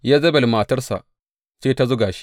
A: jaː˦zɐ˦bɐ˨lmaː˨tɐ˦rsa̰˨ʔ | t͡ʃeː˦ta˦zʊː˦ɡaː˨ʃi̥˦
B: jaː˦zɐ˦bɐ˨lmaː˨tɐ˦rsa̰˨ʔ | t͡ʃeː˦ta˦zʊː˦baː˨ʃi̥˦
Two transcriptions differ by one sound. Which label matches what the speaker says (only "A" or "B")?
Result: A